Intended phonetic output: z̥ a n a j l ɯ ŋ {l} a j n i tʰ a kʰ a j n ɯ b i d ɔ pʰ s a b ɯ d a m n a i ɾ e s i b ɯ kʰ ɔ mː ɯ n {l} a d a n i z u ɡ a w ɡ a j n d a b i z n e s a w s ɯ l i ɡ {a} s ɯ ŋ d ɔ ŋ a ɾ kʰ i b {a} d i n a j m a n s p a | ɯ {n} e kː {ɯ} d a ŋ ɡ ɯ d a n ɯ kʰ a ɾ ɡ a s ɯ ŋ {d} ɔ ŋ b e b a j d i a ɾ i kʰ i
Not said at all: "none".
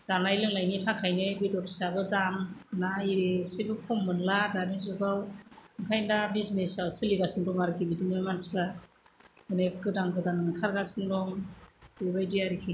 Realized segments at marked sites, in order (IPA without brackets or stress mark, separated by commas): l, l, a, i, n, ɯ, d